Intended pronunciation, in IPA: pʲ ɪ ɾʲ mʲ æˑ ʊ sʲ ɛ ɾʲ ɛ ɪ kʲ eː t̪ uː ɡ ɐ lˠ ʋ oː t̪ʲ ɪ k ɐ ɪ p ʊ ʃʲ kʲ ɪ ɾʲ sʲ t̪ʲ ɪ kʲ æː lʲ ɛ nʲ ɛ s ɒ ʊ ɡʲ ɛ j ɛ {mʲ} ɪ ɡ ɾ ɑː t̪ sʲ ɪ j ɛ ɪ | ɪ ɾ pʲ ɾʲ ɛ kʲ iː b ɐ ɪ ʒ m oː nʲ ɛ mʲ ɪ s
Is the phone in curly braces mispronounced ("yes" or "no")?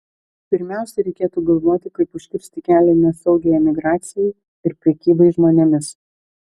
no